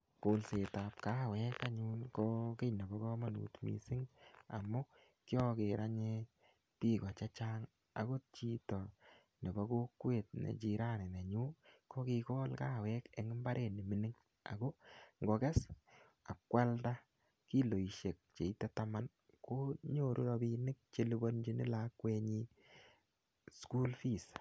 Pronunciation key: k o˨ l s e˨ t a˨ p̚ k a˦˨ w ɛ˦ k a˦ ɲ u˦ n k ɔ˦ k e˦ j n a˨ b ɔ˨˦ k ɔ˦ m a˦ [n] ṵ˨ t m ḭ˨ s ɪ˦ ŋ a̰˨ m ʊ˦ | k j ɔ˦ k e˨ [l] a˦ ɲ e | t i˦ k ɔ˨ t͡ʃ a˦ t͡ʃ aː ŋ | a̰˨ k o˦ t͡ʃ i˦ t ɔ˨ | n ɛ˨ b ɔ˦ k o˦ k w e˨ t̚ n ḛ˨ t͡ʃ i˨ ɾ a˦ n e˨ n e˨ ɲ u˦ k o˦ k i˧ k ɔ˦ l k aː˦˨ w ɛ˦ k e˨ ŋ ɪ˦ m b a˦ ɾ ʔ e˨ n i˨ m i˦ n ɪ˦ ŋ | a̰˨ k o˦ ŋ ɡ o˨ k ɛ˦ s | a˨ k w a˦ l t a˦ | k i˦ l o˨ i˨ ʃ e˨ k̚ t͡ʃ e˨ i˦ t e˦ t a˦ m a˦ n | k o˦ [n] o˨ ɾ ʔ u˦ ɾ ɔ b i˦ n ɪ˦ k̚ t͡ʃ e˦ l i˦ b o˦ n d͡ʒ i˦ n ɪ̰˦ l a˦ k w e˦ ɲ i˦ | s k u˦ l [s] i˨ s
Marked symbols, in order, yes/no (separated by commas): yes, no, no, no